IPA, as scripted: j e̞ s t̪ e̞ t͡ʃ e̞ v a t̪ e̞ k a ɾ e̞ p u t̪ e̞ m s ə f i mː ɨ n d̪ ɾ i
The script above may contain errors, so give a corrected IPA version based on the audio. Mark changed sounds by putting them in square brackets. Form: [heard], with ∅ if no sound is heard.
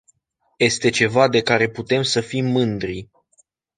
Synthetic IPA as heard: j e̞ s t̪ e̞ t͡ʃ e̞ v a [d̪] e̞ k a ɾ e̞ p u t̪ e̞ m s ə f i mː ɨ n d̪ ɾ i

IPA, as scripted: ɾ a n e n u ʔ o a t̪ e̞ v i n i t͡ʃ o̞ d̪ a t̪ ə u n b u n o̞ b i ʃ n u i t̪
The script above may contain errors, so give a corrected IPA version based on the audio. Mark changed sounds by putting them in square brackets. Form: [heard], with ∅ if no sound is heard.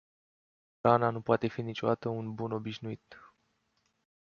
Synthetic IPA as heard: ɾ a n [a] n u [p] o a t̪ e̞ [f] i n i t͡ʃ o̞ d̪ a t̪ ə u n b u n o̞ b i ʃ n u i t̪

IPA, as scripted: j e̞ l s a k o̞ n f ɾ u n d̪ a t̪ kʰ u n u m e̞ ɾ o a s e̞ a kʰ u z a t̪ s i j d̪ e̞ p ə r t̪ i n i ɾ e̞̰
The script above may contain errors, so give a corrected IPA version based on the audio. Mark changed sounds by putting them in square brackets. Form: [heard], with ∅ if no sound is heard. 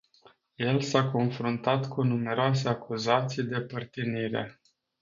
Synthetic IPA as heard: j e̞ l s a k o̞ n f ɾ u n [t̪] a t̪ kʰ u n u m e̞ ɾ o a s e̞ a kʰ u z a t̪ s i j d̪ e̞ p ə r t̪ i n i ɾ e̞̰

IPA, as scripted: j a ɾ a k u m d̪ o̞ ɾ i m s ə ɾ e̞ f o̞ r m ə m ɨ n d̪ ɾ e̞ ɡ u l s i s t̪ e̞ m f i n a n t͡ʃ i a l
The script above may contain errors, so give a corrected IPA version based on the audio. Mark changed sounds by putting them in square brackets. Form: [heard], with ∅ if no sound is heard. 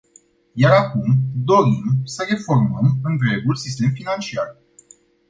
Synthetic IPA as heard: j a ɾ a k u m d̪ o̞ ɾ i m s ə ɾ e̞ f o̞ r m ə m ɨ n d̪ ɾ e̞ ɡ u l s i s t̪ e̞ m f i n a n t͡ʃ i a [r]

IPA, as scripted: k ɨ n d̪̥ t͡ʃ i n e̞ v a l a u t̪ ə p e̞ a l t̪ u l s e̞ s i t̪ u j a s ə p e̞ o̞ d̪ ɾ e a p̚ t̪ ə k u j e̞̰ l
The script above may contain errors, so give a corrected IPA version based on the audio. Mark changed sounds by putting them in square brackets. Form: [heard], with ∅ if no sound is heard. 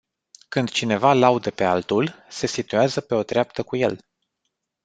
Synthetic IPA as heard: k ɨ n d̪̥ t͡ʃ i n e̞ v a l a u [d̪] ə p e̞ a l t̪ u l s e̞ s i t̪ u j a [z] ə p e̞ o̞ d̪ ɾ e a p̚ t̪ ə k u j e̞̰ l

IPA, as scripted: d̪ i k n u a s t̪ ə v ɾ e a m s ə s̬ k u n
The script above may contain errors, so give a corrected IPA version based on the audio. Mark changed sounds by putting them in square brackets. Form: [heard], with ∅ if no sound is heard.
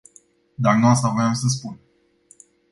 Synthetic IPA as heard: d̪ [a] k n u a s t̪ [a] v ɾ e a m s ə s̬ [p] u n

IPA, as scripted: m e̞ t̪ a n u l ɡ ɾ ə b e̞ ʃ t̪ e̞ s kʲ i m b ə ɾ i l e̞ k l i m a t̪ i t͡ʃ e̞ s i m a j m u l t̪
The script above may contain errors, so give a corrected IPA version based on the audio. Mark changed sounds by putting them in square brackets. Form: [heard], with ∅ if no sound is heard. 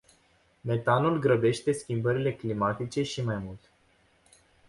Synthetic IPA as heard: m e̞ t̪ a n u l ɡ ɾ ə b e̞ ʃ t̪ e̞ s kʲ i m b ə ɾ i l e̞ k l i m a t̪ i t͡ʃ e̞ [ʃ] i m a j m u l t̪

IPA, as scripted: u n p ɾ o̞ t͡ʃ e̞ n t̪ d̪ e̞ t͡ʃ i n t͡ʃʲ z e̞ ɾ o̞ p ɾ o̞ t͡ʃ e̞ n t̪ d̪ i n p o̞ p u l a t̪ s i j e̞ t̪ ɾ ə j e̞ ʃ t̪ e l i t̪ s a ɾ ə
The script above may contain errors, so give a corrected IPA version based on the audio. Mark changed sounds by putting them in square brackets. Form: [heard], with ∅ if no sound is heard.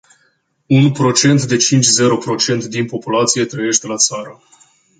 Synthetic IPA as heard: u n p ɾ o̞ t͡ʃ e̞ n t̪ d̪ e̞ t͡ʃ i n t͡ʃʲ z e̞ ɾ o̞ p ɾ o̞ t͡ʃ e̞ n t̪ d̪ i n p o̞ p u l a t̪ s i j e̞ t̪ ɾ ə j e̞ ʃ t̪ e l [a] t̪ s a ɾ ə

